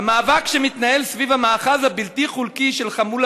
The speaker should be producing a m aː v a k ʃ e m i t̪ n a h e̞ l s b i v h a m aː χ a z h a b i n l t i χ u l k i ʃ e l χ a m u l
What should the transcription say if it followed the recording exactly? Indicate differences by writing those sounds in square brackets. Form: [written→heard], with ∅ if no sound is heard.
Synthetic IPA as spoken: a m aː v a k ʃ e m i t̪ n a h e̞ l s [b→v] i v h a m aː χ a z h a b i [n→∅] l t i χ u l k i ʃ e l χ a m u l

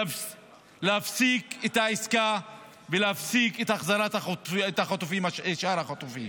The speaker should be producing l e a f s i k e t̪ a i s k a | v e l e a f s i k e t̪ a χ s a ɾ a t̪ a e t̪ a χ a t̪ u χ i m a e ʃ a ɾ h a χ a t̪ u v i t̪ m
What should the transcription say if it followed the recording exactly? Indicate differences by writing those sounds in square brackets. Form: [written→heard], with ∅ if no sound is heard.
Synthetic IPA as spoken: l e a f s i k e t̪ a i s k a | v e l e a f s i k e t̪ a χ [s→z] a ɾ a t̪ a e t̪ a χ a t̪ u [χ→f] i m a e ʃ a ɾ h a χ a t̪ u [v→f] i [t̪→∅] m

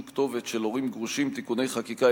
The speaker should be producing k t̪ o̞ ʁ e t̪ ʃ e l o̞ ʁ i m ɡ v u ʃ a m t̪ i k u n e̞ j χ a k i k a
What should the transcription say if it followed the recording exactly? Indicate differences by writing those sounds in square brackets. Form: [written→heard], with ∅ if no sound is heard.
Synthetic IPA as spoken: k t̪ o̞ [ʁ→v] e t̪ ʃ e l o̞ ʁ i m ɡ [v→ʁ] u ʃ [a→i] m t̪ i k u n e̞ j χ a k i k a

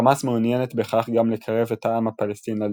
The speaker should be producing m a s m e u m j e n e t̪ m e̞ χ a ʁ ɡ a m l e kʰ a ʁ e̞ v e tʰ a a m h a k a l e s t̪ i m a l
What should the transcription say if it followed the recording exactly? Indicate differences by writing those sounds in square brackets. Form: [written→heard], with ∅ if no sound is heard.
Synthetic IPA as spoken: m a s m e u [m→n] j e n e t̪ [m→b] e̞ χ a [ʁ→χ] ɡ a m l e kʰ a ʁ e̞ v e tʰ a a m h a [k→p] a l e s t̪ i [m→n] a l

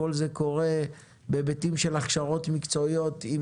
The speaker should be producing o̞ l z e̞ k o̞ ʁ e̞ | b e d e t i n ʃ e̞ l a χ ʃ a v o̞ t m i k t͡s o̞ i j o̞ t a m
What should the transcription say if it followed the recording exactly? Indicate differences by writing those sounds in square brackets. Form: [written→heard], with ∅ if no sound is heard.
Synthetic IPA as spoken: o̞ l z e̞ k o̞ ʁ e̞ | b e [d→b] e t i [n→m] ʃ e̞ l a χ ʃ a [v→ʁ] o̞ t m i k t͡s o̞ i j o̞ t [a→i] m

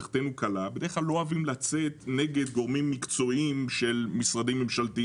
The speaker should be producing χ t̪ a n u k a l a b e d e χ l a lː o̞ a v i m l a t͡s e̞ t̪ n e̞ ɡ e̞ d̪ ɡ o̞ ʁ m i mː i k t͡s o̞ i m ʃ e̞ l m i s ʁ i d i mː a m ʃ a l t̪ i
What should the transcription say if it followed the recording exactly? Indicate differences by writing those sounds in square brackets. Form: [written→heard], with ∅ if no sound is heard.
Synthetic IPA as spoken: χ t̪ [a→e] n u k a l a b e d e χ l a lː o̞ a v i m l a t͡s e̞ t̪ n e̞ ɡ e̞ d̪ ɡ o̞ ʁ m i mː i k t͡s o̞ i m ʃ e̞ l m i s ʁ [i→a] d i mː [a→e] m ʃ a l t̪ i

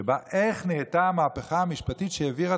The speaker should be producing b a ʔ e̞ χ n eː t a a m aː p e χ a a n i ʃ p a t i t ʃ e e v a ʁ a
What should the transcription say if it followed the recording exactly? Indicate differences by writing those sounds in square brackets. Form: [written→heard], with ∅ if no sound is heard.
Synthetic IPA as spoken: b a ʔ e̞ χ n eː t a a m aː p e χ a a [n→m] i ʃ p a t i t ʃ e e v [a→i] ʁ a

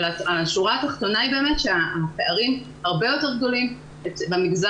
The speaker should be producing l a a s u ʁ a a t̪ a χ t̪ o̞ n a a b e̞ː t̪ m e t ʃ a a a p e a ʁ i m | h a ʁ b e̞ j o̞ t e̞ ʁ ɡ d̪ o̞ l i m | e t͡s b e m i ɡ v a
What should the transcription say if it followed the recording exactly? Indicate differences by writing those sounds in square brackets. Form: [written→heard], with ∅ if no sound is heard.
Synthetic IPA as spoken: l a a [s→ʃ] u ʁ a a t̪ a χ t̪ o̞ n a [a→i] b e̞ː [t̪→∅] m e t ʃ [a→e] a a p e a ʁ i m | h a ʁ b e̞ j o̞ t e̞ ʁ ɡ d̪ o̞ l i m | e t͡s b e m i ɡ [v→z] a

